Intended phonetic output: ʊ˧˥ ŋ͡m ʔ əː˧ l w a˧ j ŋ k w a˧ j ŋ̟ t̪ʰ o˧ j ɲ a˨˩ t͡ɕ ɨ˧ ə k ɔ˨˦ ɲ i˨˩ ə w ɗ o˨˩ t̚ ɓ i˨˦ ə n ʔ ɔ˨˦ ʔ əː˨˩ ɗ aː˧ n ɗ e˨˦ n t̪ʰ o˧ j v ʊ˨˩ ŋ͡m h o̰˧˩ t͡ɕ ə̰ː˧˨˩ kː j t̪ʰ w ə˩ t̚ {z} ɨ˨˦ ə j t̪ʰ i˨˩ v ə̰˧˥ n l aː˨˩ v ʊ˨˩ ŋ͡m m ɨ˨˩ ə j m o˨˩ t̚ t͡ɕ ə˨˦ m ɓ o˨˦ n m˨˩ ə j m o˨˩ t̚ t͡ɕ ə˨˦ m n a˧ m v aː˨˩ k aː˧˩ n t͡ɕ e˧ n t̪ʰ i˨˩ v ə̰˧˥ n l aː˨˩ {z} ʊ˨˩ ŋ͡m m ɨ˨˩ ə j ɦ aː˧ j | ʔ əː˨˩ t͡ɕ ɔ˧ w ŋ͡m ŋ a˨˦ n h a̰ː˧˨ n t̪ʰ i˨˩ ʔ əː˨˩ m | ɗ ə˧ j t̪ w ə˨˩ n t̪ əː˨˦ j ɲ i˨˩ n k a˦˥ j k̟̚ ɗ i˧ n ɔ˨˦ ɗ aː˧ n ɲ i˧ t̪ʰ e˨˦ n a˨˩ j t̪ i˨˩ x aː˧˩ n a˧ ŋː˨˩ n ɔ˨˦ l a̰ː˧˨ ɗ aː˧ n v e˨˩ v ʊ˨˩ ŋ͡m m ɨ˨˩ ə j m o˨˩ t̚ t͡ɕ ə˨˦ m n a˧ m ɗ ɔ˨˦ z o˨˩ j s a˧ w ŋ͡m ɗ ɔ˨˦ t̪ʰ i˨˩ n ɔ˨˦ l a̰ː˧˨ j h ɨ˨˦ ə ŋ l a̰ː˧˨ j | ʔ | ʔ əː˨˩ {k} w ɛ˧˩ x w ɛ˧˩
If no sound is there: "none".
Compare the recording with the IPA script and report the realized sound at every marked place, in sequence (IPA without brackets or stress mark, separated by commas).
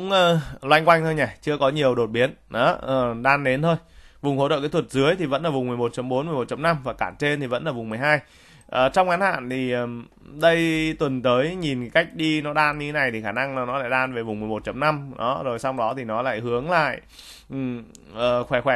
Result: z, v, x